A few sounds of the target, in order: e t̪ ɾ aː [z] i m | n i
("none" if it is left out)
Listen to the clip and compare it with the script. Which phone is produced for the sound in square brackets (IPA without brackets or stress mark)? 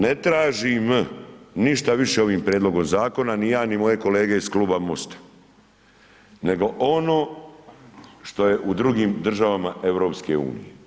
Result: ʒ